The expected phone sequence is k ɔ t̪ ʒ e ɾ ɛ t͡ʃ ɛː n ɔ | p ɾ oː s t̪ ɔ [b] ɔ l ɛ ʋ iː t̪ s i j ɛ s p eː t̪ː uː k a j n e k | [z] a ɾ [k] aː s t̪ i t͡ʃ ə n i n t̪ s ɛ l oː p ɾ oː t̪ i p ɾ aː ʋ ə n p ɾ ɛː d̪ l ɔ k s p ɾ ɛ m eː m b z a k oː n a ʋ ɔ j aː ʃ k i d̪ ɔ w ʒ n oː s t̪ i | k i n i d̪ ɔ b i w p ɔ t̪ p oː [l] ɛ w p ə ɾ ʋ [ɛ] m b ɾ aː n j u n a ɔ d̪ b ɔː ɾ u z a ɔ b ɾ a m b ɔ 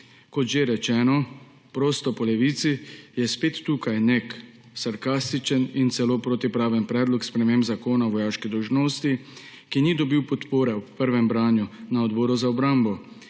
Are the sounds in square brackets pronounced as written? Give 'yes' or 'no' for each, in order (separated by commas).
no, no, yes, no, yes